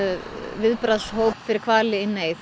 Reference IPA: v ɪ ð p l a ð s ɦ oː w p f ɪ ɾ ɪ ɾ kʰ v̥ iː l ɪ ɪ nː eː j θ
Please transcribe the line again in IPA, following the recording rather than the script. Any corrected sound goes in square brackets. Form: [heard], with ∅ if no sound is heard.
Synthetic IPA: v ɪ ð p [ɾ] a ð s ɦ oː w p f ɪ ɾ ɪ ɾ kʰ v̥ [aː] l ɪ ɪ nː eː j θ